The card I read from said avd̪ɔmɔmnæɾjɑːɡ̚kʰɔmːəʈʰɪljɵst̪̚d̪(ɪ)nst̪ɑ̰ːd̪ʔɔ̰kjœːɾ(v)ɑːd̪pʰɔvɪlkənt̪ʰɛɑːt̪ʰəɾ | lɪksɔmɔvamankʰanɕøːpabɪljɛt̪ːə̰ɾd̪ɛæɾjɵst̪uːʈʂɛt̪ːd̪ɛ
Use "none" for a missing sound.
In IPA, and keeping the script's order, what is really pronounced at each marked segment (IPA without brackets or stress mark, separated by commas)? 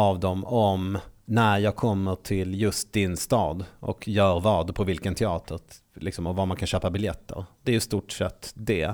ɪ, v